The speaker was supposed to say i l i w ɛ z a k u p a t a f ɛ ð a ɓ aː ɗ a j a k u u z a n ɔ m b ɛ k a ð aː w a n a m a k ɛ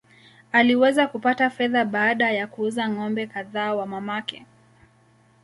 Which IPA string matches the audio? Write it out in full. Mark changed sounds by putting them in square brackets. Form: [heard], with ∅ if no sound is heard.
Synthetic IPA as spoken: [a] l i w ɛ z a k u p a t a f ɛ ð a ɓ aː ɗ a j a k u u z a [ŋ] ɔ m b ɛ k a ð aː w a [m] a m a k ɛ